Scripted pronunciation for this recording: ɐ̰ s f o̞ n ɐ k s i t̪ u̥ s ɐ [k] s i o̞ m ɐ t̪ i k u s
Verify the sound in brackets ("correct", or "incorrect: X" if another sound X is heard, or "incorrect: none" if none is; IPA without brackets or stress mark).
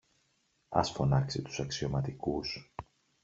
correct